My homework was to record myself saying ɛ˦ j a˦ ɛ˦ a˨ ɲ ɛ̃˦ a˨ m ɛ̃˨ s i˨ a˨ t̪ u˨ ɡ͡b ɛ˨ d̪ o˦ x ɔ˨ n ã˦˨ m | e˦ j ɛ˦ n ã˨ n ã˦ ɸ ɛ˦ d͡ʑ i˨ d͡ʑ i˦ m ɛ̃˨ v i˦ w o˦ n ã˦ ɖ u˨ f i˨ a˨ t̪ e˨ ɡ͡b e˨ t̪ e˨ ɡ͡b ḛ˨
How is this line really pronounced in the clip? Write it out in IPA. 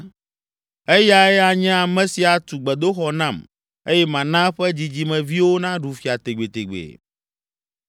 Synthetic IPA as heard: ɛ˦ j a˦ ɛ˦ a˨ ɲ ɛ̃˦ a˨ m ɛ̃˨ s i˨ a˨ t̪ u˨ ɡ͡b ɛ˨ d̪ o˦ x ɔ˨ n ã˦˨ m | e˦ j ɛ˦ m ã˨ n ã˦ ɸ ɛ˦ d͡ʑ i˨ d͡ʑ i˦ m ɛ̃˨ v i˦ w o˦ n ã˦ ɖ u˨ f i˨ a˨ t̪ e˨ ɡ͡b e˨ t̪ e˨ ɡ͡b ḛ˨